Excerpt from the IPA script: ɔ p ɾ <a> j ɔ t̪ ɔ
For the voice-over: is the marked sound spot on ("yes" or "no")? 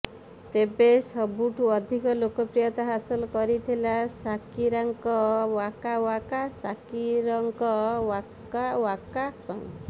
no